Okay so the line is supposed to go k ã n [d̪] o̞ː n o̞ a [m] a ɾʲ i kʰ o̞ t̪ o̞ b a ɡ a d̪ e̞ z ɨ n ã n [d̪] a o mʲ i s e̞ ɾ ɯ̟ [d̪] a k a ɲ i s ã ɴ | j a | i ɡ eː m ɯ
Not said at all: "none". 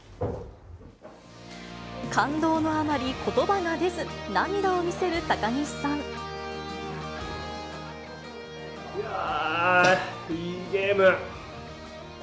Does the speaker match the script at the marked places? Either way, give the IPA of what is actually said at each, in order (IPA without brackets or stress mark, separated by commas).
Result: d̪, m, d̪, t̪